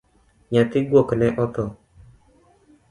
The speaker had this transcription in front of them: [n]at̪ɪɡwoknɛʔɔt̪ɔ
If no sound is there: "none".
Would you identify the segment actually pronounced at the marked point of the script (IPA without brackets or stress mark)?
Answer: ɲ